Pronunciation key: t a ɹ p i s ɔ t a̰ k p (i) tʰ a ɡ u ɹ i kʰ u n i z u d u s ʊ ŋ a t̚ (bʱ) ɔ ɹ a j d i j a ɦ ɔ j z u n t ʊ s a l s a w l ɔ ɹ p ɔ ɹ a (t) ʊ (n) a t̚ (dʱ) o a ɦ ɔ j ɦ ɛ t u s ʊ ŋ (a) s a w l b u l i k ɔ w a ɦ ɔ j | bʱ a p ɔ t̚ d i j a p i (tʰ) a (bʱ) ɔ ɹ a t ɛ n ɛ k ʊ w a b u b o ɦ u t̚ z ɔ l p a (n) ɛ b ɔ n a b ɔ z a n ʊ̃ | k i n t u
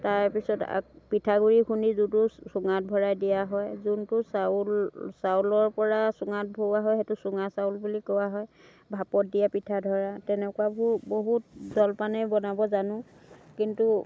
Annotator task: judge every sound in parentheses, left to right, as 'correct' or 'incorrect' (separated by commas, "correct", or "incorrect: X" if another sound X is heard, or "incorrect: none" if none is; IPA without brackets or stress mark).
correct, correct, incorrect: s, incorrect: ŋ, incorrect: bʱ, correct, correct, incorrect: dʱ, correct